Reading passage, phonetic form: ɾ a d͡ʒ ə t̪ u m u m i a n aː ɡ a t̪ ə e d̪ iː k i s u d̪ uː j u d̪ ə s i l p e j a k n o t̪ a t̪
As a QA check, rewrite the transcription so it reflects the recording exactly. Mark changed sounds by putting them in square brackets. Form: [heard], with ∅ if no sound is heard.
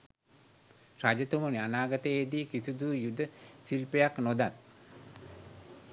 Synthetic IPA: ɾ a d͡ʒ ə t̪ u m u [n] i a n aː ɡ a t̪ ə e d̪ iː k i s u d̪ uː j u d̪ ə s i l p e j a k n o [d̪] a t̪